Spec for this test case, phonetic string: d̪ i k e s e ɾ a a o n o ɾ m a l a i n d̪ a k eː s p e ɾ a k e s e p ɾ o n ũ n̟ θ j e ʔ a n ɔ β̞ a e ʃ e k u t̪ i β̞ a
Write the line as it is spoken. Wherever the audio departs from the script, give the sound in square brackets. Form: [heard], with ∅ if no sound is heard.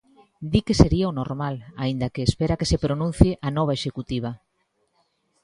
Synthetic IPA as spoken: d̪ i k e s e ɾ [i] a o n o ɾ m a l a i n d̪ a k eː s p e ɾ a k e s e p ɾ o n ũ n̟ θ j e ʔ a n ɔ β̞ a e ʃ e k u t̪ i β̞ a